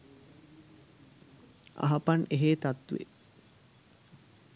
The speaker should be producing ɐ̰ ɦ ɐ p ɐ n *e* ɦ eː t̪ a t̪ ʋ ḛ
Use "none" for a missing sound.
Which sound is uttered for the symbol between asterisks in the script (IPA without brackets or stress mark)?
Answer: e